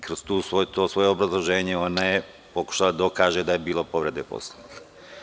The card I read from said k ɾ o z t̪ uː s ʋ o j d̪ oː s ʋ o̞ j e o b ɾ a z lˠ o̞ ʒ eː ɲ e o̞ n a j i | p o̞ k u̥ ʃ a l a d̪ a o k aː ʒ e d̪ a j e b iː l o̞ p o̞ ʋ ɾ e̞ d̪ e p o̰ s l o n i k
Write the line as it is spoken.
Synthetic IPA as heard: k ɾ o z t̪ uː s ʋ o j t̪ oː s ʋ o̞ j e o b ɾ a z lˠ o̞ ʒ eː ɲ e o̞ n a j e | p o̞ k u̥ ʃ a l a d̪ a o k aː ʒ e d̪ a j e b iː l o̞ p o̞ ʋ ɾ e̞ d̪ e p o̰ s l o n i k